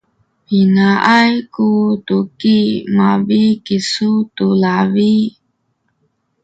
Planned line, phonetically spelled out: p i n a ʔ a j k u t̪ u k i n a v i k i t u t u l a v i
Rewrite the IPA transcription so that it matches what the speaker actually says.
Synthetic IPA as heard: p i n a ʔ a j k u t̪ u k i m a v i k i s u t u l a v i